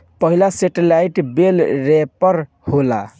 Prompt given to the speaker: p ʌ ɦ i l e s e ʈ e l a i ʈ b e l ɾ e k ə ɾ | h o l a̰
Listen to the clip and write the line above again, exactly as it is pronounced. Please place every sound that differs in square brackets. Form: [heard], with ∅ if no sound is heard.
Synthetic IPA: p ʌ ɦ i l [a] s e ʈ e l a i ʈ b e l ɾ e [p] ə ɾ | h o l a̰